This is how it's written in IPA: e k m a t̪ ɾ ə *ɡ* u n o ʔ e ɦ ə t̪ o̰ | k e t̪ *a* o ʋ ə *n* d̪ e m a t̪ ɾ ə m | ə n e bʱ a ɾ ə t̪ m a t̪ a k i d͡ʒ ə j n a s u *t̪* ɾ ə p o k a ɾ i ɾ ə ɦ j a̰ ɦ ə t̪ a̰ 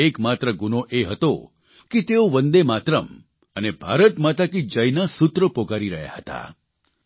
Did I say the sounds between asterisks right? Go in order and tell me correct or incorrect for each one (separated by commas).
correct, incorrect, correct, correct